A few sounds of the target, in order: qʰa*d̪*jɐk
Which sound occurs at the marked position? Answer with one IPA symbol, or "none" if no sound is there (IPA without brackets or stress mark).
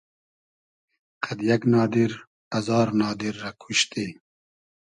d̪